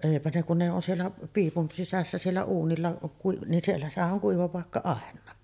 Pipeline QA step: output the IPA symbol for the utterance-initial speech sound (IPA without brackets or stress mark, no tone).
eˑ